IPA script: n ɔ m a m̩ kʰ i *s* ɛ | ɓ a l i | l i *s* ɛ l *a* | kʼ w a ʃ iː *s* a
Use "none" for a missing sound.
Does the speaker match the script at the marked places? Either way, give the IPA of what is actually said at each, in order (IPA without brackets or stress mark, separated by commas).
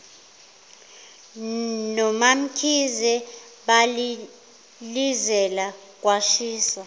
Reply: z, z, a, s